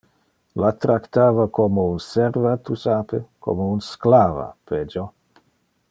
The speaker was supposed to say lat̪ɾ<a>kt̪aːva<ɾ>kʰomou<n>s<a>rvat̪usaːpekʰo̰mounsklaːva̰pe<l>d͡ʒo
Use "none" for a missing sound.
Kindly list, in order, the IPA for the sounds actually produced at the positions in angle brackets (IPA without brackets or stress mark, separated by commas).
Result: a, none, n, ɛ, none